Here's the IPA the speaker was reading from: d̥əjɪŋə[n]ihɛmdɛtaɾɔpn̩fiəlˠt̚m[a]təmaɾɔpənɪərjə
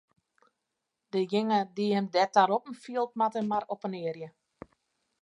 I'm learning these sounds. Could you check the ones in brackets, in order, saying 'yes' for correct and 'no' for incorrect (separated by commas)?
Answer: no, yes